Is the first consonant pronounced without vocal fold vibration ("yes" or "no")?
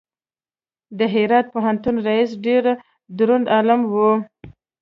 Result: no